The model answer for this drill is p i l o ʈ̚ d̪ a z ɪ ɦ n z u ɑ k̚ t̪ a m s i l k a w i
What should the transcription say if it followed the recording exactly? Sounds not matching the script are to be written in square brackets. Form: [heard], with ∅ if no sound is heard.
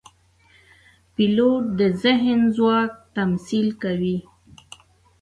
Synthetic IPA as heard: p i l o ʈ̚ d̪ [ə] z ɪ ɦ n z [w] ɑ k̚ t̪ a m s i l k a w i